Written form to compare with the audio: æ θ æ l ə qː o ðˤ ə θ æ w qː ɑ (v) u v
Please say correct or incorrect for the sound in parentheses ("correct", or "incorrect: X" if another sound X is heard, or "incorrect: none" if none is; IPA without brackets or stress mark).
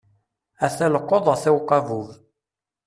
correct